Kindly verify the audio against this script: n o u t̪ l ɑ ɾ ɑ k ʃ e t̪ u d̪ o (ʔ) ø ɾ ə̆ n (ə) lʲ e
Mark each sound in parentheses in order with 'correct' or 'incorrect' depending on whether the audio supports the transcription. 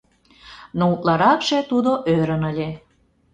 correct, correct

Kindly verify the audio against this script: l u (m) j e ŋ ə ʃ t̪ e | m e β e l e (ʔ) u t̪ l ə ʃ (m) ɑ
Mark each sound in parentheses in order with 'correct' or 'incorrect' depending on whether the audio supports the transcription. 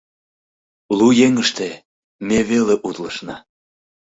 incorrect: none, correct, incorrect: n

